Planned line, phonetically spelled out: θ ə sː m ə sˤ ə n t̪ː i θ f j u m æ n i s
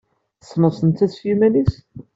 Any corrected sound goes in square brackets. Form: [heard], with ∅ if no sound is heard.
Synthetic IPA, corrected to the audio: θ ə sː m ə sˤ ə n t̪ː [æ] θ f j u m æ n i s